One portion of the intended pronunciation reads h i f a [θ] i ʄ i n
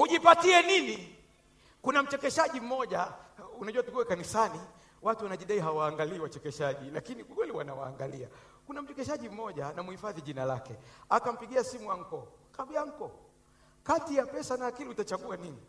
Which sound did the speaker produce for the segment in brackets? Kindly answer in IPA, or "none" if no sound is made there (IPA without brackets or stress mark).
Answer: ð